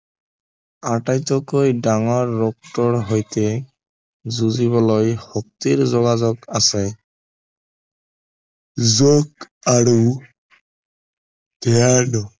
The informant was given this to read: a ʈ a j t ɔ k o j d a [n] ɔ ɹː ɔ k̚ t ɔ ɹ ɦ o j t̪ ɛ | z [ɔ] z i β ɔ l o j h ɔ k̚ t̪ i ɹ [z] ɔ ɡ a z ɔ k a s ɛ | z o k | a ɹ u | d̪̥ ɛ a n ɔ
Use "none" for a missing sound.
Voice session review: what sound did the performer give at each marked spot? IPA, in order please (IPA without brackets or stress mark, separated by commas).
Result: ŋ, u, z